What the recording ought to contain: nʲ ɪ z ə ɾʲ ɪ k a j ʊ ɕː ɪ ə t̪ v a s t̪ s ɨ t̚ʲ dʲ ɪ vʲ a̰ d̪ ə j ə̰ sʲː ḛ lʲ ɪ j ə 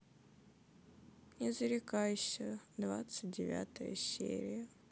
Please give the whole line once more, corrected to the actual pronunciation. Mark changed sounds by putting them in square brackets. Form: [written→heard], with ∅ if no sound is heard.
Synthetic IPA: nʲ ɪ z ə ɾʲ ɪ k a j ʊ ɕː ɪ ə [t̪→d̪] v a [s→∅] t̪ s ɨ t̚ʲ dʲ ɪ vʲ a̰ [d̪→t̪] ə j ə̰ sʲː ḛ [lʲ→ɾʲ] ɪ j ə